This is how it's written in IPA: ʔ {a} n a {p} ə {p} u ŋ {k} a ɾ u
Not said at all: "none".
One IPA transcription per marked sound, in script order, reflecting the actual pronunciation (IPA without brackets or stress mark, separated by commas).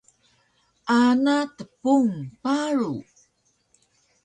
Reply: a, t, p, p